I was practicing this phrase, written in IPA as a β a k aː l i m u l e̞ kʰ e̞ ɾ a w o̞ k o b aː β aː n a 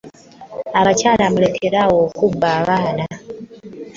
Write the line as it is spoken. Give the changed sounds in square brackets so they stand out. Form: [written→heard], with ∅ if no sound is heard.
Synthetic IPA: a β a [k→c] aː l [i→a] m u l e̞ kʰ e̞ ɾ a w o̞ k [o→u] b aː β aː n a